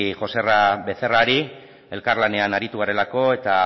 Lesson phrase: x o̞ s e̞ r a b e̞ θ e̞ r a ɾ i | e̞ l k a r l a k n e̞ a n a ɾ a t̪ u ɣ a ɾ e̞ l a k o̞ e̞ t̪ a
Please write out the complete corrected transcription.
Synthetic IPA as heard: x o̞ s e̞ r a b e̞ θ e̞ r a ɾ i | e̞ l k a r l a n e̞ a n a ɾ i t̪ u ɣ a ɾ e̞ l a k o̞ e̞ t̪ a

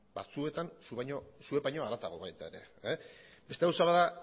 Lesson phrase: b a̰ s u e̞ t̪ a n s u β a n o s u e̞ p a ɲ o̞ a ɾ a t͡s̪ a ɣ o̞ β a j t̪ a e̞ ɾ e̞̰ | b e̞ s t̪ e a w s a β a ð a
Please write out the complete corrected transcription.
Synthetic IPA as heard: b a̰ t͡s u e̞ t̪ a n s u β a ɲ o s u e̞ p a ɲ o̞ a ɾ a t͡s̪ a ɣ o̞ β a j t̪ a e̞ ɾ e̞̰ | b e̞ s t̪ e a w s a β a ð a

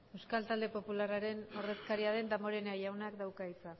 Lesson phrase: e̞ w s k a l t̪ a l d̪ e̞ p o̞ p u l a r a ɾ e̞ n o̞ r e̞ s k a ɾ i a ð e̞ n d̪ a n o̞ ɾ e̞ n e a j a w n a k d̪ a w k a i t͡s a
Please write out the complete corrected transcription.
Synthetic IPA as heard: e̞ w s k a l t̪ a l d̪ e̞ p o̞ p u l a r a ɾ e̞ n o̞ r e̞ s k a ɾ i a ð e̞ n d̪ a m o̞ ɾ e̞ n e a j a w n a k d̪ a w k a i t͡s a

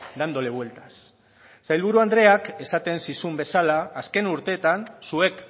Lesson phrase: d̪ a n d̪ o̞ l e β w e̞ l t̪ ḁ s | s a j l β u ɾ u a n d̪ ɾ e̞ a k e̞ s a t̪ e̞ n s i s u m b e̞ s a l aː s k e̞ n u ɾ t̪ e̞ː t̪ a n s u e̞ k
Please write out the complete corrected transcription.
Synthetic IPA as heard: d̪ a n d̪ o̞ l e β w e̞ l t̪ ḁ s | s a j l β u ɾ u a n d̪ ɾ e̞ a k e̞ s a t̪ e̞ n s i s u m b e̞ s a l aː s k e̞ n u ɾ t̪ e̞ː t̪ a n s u e̞ k

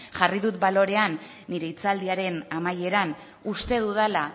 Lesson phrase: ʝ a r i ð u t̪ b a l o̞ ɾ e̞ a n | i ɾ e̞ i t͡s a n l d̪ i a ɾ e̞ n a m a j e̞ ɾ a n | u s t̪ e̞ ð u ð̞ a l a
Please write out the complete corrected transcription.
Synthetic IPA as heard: ʝ a r i ð u t̪ b a l o̞ ɾ e̞ a nː | i ɾ e̞ i t͡s a l d̪ i a ɾ e̞ n a m a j e̞ ɾ a n | u s t̪ e̞ ð u ð̞ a l a

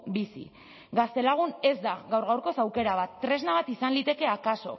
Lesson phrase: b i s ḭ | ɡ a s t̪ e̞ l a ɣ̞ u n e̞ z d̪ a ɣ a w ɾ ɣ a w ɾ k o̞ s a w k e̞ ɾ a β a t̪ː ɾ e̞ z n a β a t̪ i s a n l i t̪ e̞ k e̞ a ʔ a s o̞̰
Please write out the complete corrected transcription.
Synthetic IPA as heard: b i s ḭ | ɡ a s t̪ e̞ l a ɣ̞ u n e̞ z d̪ a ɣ a w ɾ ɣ a w ɾ k o̞ s a w k e̞ ɾ a β a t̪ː ɾ e̞ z n a β a t̪ i s a n l i t̪ e̞ k e̞ a k a s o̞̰

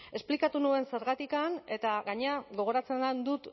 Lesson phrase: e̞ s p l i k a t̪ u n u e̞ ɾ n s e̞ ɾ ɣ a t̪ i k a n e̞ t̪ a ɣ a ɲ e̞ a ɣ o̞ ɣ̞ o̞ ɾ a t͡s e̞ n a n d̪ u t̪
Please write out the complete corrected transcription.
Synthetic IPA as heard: e̞ s p l i k a t̪ u n u e̞ n s e̞ ɾ ɣ a t̪ i k a n e̞ t̪ a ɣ a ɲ e̞ a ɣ o̞ ɣ̞ o̞ ɾ a t͡s e̞ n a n d̪ u t̪

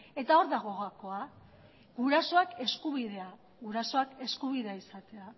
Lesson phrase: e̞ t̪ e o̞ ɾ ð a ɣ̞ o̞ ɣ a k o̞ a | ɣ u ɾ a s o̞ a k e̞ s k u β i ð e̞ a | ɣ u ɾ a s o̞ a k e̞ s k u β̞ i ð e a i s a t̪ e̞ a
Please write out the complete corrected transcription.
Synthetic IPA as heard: e̞ t̪ a o̞ ɾ ð a ɣ̞ o̞ ɣ a k o̞ a | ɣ u ɾ a s o̞ a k e̞ s k u β i ð e̞ a | ɣ u ɾ a s o̞ a k e̞ s k u β̞ i ð e a i s a t̪ e̞ a

